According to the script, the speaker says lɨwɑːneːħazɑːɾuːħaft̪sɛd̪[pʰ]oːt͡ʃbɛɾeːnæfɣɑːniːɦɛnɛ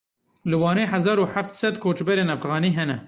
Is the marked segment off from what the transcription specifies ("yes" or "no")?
yes